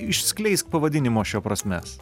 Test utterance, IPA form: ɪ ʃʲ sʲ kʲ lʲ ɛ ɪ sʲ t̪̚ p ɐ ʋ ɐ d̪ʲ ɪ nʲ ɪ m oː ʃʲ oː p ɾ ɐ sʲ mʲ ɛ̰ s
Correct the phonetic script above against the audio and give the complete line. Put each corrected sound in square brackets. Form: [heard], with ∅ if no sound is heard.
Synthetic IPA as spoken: ɪ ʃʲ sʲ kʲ lʲ ɛ ɪ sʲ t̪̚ p ɐ ʋ ɐ d̪ʲ ɪ nʲ ɪ m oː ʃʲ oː p ɾ ɐ sʲ mʲ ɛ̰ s

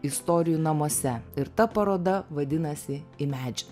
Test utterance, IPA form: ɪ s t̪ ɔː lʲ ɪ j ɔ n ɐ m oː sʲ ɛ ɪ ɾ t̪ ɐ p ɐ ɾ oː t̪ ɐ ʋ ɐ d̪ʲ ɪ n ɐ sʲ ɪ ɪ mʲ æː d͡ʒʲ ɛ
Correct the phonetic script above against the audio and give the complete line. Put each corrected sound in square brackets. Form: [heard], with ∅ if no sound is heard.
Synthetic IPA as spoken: ɪ s t̪ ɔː [ɾʲ] ɪ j [u] n ɐ m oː sʲ ɛ ɪ ɾ t̪ ɐ p ɐ ɾ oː [d̪] ɐ ʋ ɐ d̪ʲ ɪ n ɐ sʲ ɪ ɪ mʲ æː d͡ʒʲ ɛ

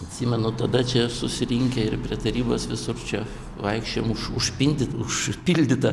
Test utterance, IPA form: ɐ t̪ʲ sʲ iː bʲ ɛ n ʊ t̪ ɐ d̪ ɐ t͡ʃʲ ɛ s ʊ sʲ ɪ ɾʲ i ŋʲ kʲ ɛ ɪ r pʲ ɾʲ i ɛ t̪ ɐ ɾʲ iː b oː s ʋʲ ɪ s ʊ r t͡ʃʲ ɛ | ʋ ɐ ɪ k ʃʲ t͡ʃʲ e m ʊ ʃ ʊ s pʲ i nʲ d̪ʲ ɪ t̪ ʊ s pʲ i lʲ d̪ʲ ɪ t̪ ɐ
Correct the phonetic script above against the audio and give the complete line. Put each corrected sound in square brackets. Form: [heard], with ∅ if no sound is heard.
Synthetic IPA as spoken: ɐ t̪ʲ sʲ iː [mʲ] ɛ n ʊ t̪ ɐ d̪ ɐ t͡ʃʲ ɛ s ʊ sʲ ɪ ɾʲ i ŋʲ kʲ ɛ ɪ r pʲ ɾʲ i ɛ t̪ ɐ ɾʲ iː b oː s ʋʲ ɪ s ʊ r t͡ʃʲ ɛ | ʋ ɐ ɪ k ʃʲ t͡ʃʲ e m ʊ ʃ ʊ [ʃ] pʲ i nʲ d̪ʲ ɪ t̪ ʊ [ʃ] pʲ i lʲ d̪ʲ ɪ t̪ ɐ

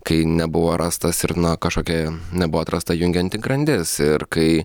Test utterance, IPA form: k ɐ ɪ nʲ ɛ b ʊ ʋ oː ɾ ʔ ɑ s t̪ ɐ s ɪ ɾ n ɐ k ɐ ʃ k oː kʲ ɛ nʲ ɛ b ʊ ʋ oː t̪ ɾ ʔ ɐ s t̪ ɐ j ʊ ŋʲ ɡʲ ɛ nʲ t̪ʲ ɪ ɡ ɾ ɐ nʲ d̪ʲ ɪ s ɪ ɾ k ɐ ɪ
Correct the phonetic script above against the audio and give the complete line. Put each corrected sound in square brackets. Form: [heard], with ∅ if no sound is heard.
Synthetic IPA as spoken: k ɐ ɪ nʲ ɛ b ʊ ʋ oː ɾ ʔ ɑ s t̪ ɐ s ɪ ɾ n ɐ k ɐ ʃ k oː kʲ ɛ nʲ ɛ b ʊ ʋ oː t̪ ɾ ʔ ɐ s t̪ ɐ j ʊ ŋʲ ɡʲ ɛ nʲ t̪ʲ ɪ ɡ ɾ ɐ nʲ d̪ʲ ɪ s ɪ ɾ k ɐ ɪ

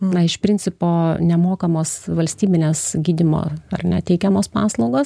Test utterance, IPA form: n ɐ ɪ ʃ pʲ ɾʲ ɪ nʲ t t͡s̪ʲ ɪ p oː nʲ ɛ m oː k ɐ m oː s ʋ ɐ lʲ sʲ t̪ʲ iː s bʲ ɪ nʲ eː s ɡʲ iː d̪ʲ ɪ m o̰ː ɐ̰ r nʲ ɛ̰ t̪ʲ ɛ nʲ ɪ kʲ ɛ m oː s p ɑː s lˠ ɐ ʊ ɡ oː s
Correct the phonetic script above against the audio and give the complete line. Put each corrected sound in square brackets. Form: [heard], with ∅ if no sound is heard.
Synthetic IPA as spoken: n ɐ ɪ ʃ pʲ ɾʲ ɪ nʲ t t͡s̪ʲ ɪ p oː nʲ ɛ m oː k ɐ m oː s ʋ ɐ lʲ sʲ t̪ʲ iː [∅] bʲ ɪ nʲ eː s ɡʲ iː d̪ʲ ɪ m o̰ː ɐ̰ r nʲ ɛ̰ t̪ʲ ɛ [∅] ɪ kʲ ɛ m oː s p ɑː s lˠ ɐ ʊ ɡ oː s

